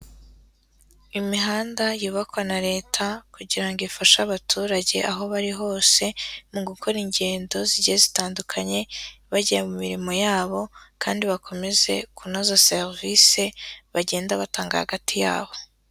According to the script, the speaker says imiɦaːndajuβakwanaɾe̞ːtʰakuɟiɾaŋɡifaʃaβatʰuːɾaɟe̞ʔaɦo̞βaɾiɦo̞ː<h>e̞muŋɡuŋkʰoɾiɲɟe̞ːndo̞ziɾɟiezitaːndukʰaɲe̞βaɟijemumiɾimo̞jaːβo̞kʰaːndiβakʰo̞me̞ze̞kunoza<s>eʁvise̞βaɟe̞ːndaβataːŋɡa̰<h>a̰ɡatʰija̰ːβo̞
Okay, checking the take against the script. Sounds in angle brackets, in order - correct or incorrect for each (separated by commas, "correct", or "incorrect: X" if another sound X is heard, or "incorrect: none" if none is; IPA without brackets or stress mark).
incorrect: s, correct, correct